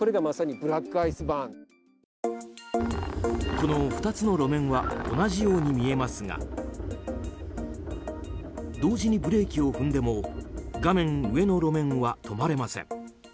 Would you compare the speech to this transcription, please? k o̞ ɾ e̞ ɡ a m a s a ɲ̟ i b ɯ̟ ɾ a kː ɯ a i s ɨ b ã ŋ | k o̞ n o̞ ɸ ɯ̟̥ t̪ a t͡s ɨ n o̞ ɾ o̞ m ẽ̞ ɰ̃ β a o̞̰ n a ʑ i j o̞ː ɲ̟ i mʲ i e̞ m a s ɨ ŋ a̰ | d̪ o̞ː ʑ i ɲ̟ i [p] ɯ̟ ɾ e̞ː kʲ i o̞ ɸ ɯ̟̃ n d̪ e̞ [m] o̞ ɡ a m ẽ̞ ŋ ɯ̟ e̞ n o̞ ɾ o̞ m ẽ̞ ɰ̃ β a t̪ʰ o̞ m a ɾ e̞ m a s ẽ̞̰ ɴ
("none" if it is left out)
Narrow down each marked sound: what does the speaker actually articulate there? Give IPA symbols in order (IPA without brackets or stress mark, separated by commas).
b, m